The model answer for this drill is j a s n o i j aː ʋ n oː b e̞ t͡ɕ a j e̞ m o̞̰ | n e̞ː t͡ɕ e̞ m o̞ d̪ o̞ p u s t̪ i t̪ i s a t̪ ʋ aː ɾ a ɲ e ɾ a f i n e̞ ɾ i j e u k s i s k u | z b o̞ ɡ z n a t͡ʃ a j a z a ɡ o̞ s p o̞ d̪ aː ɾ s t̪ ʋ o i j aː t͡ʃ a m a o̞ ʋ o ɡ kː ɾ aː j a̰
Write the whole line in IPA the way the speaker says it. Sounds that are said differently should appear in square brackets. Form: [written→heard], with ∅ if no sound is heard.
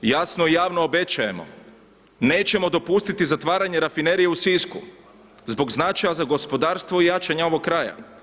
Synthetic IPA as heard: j a s n o i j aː ʋ n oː b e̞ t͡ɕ a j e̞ m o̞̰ | n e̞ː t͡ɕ e̞ m o̞ d̪ o̞ p u s t̪ i t̪ i [s→z] a t̪ ʋ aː ɾ a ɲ e ɾ a f i n e̞ ɾ i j e u [k→∅] s i s k u | z b o̞ ɡ z n a t͡ʃ a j a z a ɡ o̞ s p o̞ d̪ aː ɾ s t̪ ʋ o i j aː t͡ʃ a [m→ɲ] a o̞ ʋ o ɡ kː ɾ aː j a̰